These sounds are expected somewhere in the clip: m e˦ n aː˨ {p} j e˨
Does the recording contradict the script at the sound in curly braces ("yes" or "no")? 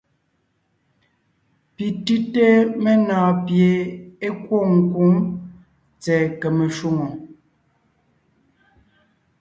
no